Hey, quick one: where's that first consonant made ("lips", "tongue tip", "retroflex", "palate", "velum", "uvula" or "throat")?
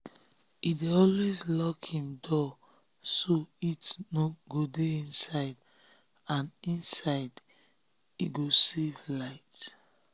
tongue tip